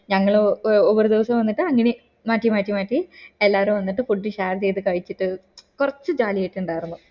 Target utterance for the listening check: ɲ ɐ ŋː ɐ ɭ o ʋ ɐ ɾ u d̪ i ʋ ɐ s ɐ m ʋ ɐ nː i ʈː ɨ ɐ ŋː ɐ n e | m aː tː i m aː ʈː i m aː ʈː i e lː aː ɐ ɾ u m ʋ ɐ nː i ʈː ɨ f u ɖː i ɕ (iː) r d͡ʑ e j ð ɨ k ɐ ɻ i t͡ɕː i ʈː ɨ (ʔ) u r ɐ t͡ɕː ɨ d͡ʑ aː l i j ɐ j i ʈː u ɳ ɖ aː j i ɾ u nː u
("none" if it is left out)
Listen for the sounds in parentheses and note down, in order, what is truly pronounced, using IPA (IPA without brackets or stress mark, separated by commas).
aː, k